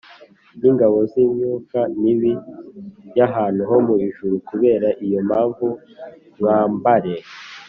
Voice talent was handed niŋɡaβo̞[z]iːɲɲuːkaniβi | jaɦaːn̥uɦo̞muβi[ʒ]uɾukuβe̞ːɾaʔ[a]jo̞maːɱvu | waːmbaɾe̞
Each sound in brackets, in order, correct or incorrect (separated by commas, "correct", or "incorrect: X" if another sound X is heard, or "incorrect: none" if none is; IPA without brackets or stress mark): correct, correct, incorrect: i